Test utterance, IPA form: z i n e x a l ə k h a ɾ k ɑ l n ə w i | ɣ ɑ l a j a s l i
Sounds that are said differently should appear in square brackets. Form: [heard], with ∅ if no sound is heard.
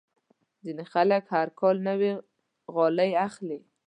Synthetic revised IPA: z i n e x a l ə k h a ɾ k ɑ l n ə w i | ɣ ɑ l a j a [x] l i